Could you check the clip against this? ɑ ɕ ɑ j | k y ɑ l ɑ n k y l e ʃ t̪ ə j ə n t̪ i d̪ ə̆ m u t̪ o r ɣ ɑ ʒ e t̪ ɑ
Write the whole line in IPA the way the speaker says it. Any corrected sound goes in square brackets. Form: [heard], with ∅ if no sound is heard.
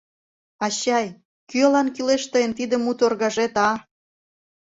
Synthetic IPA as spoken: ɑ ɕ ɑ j | k y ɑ l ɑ n k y l e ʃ t̪ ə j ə n t̪ i d̪ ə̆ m u t̪ o r ɣ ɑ ʒ e t̪ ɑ